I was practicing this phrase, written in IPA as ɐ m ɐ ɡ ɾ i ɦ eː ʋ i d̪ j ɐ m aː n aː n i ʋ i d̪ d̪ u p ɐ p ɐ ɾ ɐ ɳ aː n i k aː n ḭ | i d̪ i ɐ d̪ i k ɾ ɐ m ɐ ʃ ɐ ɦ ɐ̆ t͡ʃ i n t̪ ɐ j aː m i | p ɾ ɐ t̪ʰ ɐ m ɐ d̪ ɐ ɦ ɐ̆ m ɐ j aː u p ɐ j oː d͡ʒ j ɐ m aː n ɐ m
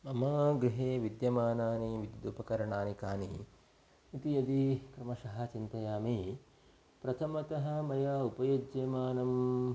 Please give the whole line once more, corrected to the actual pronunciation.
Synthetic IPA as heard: ɐ m ɐ ɡ ɾ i ɦ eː ʋ i d̪ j ɐ m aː n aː n i ʋ i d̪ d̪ u p ɐ k ɐ ɾ ɐ ɳ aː n i k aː n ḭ | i t̪ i ɐ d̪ i k ɾ ɐ m ɐ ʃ ɐ ɦ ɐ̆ t͡ʃ i n t̪ ɐ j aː m i | p ɾ ɐ t̪ʰ ɐ m ɐ t̪ ɐ ɦ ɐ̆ m ɐ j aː u p ɐ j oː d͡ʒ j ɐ m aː n ɐ m